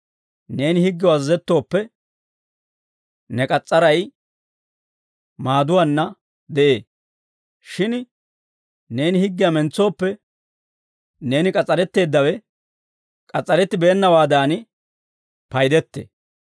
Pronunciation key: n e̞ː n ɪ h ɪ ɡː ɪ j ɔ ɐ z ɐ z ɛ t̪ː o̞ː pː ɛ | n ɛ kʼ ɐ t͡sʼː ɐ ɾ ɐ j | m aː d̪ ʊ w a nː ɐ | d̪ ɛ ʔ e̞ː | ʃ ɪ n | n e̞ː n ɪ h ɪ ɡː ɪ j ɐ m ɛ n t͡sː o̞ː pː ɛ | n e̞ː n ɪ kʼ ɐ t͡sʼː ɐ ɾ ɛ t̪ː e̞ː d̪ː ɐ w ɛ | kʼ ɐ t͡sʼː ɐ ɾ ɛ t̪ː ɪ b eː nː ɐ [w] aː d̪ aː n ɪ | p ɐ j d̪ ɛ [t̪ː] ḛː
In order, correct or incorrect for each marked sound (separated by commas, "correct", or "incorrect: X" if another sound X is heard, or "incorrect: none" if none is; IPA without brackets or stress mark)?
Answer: correct, correct